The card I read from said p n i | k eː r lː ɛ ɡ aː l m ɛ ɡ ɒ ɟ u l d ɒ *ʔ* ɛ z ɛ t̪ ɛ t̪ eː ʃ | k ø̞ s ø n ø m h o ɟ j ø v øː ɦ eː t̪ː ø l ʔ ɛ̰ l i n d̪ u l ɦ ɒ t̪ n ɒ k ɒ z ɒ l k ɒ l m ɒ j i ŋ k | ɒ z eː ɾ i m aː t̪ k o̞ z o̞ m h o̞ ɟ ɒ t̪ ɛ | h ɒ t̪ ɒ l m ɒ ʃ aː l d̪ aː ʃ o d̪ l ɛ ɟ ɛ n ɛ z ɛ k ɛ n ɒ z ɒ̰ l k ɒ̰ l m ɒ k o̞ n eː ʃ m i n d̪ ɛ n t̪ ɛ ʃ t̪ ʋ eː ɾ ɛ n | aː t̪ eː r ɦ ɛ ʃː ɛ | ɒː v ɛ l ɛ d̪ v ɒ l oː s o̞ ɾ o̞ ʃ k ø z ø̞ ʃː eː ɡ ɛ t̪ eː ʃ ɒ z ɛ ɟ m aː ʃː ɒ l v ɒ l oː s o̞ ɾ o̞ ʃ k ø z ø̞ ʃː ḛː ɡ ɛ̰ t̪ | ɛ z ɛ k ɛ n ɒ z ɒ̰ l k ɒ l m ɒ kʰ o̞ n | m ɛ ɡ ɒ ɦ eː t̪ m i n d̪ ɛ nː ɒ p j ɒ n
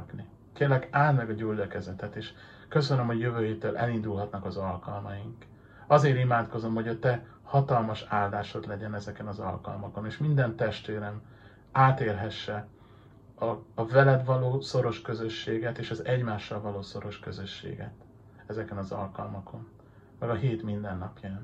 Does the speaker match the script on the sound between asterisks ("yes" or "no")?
no